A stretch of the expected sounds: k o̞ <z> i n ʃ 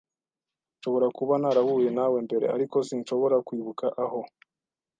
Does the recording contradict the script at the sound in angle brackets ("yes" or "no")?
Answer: yes